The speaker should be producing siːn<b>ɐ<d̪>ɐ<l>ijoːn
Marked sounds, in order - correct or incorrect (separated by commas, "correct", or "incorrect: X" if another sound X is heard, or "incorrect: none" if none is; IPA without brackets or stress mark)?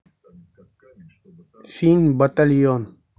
correct, incorrect: t̪, correct